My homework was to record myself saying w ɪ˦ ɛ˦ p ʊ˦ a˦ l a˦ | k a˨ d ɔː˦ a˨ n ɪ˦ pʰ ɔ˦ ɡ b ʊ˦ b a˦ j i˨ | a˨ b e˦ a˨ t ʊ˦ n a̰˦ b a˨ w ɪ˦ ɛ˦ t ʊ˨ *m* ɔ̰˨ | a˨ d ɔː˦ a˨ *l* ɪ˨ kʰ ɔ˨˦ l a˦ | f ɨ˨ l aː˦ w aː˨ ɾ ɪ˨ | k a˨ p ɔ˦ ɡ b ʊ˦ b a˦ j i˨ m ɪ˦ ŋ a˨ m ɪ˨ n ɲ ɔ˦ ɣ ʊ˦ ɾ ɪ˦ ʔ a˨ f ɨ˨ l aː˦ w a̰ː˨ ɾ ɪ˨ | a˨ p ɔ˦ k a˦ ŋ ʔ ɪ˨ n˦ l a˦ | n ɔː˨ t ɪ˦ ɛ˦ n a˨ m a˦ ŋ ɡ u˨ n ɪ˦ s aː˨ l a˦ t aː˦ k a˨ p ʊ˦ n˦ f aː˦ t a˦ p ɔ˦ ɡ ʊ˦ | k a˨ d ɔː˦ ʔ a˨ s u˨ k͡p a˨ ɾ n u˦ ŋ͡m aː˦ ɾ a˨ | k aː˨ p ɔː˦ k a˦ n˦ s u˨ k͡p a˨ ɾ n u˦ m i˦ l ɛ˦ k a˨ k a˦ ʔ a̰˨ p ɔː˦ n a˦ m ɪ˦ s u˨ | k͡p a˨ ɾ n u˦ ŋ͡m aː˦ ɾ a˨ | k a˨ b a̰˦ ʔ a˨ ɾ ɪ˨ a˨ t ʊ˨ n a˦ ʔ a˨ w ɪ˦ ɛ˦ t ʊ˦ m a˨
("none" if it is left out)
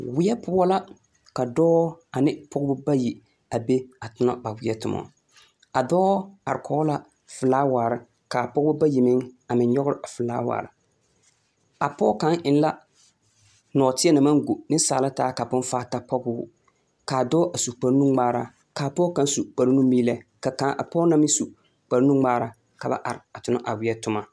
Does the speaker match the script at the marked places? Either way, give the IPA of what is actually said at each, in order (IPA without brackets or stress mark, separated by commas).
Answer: m, ɾ